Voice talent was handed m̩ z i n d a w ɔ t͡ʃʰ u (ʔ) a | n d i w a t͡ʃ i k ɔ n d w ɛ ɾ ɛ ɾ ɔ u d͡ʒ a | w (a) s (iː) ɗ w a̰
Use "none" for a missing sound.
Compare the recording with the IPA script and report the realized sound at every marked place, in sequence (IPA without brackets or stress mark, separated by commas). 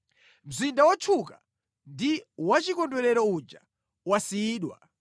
k, a, iː